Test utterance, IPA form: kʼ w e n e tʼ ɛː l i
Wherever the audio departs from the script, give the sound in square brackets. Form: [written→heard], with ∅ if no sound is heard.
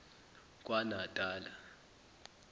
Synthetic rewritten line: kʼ w [e→a] n [e→a] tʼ [ɛː→aː] l [i→a]